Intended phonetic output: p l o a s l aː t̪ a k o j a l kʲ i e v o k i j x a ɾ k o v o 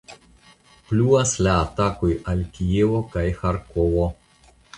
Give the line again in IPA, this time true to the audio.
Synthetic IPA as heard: p l u a s l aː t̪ a k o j a l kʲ i e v o k a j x a ɾ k o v o

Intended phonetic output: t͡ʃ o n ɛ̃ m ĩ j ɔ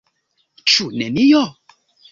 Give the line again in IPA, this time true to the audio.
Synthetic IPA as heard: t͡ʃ u n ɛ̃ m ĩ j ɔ

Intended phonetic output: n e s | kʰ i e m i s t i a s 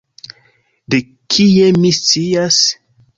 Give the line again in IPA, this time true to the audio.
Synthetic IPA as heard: d e | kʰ i e m i s t͡s i a s

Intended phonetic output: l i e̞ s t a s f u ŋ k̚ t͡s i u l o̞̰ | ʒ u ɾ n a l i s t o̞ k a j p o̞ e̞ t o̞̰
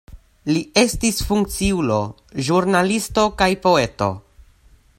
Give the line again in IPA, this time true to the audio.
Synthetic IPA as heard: l i e̞ s t i s f u ŋ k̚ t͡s i u l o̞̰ | ʒ u ɾ n a l i s t o̞ k a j p o̞ e̞ t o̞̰

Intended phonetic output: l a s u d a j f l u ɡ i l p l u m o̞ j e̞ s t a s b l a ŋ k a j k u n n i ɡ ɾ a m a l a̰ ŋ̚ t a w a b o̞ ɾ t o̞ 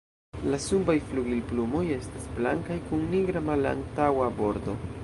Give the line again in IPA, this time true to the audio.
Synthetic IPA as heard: l a s u b a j f l u ɡ i l p l u m o̞ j e̞ s t a s b l a ŋ k a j k u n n i ɡ ɾ a m a l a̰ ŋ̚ t a w a b o̞ ɾ d o̞

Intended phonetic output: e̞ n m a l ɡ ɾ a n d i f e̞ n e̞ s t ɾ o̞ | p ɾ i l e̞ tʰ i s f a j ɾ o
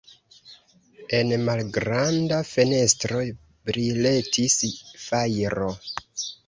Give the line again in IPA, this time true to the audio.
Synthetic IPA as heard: e̞ n m a l ɡ ɾ a n d a f e̞ n e̞ s t ɾ o̞ | b ɾ i l e̞ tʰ i s f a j ɾ o

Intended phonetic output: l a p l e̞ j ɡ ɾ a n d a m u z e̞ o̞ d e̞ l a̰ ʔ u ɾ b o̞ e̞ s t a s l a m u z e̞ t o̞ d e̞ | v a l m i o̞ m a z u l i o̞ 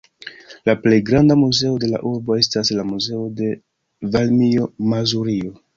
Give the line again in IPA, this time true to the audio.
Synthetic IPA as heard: l a p l e̞ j ɡ ɾ a n d a m u z e̞ o̞ d e̞ l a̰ ʔ u ɾ b o̞ e̞ s t a s l a m u z e̞ o̞ d e̞ | v a l m i o̞ m a z u ɾ i o̞

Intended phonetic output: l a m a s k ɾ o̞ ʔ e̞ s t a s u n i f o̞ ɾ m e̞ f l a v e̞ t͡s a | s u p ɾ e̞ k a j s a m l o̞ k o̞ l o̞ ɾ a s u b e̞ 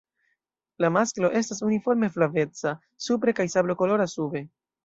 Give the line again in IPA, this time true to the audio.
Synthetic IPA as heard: l a m a s k l o̞ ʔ e̞ s t a s u n i f o̞ ɾ m e̞ f l a v e̞ t͡s a | s u p ɾ e̞ k a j s a b l o̞ k o̞ l o̞ ɾ a s u b e̞

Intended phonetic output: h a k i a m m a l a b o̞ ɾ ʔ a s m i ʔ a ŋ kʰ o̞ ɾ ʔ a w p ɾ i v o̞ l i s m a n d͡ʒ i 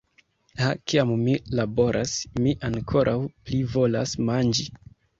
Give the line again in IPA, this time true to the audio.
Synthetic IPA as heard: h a k i a m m i l a b o̞ ɾ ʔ a s m i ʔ a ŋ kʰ o̞ ɾ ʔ a w p l i v o̞ l a s m a n d͡ʒ i

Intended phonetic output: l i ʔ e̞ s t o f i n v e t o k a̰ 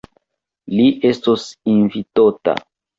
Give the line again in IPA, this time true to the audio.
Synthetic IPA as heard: l i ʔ e̞ s t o s i n v i t o t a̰

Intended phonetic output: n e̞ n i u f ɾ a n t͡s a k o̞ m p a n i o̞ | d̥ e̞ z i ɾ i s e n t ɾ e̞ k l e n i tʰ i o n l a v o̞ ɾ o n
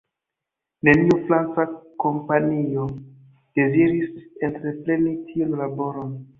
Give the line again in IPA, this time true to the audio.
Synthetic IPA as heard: n e̞ n i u f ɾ a n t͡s a k o̞ m p a n i o̞ | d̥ e̞ z i ɾ i s e n t ɾ e̞ p l e n i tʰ i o n l a b o̞ ɾ o n

